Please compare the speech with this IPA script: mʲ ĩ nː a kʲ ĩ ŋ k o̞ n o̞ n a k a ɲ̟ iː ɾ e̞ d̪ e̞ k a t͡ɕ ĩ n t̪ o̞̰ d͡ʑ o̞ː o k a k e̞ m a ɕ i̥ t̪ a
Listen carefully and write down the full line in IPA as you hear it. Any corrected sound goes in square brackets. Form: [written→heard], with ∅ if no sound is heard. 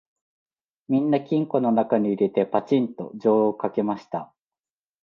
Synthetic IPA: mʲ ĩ nː a kʲ ĩ ŋ k o̞ n o̞ n a k a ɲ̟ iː ɾ e̞ [d̪→t̪] e̞ [k→p] a t͡ɕ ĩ n t̪ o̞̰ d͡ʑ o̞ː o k a k e̞ m a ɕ i̥ t̪ a